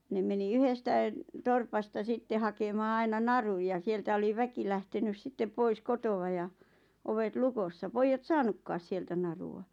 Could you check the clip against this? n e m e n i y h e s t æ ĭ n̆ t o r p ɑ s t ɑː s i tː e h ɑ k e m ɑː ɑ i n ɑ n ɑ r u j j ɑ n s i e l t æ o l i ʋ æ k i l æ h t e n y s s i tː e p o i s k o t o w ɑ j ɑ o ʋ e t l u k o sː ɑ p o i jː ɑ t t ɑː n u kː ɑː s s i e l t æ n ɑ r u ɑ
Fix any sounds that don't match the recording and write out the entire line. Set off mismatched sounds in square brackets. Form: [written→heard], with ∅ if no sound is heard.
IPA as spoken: n e m e n i y h e s t æ ĭ n̆ t o r p ɑ s t [ɑː→ɑ] s i tː e h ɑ k e m ɑː ɑ i n ɑ n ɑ r u j j ɑ [n→∅] s i e l t æ o l i ʋ æ k i l æ h t e n y s s i tː e p o i s k o t o w ɑ j ɑ o ʋ e t l u k o sː ɑ p o i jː ɑ t [t→s] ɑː n u kː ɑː s s i e l t æ n ɑ r u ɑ